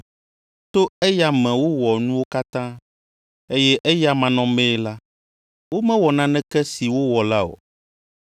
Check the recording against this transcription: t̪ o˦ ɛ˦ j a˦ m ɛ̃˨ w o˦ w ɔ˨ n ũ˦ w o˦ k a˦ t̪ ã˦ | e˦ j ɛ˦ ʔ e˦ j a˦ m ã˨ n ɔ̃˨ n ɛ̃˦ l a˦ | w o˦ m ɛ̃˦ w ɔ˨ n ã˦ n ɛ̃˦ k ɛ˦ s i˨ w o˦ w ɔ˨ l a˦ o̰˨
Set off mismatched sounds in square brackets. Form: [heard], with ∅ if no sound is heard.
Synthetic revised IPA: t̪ o˦ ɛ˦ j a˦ m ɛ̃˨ w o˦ w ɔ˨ n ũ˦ w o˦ k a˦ t̪ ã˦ | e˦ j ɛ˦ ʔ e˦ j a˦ m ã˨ n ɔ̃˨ [m] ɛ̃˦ l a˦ | w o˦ m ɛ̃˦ w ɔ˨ n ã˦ n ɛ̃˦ k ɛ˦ s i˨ w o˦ w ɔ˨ l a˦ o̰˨